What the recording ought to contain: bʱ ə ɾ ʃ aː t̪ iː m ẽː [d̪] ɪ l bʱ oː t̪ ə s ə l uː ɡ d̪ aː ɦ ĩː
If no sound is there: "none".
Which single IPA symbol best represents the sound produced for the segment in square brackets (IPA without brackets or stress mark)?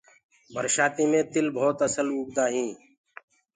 t̪